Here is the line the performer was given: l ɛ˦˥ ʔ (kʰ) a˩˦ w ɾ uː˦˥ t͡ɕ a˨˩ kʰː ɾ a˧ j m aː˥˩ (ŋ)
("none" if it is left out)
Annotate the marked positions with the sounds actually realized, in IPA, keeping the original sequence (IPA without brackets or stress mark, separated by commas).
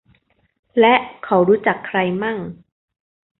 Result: kʰ, ŋ